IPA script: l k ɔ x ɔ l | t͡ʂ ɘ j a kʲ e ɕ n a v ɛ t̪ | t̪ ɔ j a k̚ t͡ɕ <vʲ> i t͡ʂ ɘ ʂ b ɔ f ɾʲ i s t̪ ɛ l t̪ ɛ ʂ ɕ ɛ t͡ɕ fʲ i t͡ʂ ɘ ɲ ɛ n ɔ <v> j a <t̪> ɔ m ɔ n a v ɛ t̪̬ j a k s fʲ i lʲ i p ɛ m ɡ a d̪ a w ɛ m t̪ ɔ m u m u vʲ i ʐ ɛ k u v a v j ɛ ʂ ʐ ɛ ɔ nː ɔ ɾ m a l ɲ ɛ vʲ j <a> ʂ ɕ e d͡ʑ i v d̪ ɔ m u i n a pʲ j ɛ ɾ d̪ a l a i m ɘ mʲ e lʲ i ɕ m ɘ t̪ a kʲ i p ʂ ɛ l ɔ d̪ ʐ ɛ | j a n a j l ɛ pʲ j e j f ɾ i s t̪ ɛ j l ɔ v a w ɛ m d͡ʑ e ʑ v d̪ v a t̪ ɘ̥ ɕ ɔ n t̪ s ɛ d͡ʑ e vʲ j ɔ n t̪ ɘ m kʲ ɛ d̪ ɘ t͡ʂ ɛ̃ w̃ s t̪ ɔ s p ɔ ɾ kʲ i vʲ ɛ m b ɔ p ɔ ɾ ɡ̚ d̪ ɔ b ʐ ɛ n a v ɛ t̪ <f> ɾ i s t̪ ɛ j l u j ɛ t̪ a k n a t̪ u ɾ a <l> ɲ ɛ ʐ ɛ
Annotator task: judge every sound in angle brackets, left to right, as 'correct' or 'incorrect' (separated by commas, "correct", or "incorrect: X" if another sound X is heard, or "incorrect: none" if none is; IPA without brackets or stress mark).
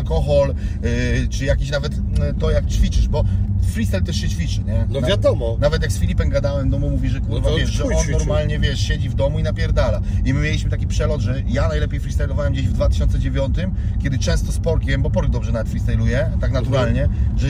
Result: incorrect: fʲ, correct, incorrect: d̪, incorrect: ɛ, correct, correct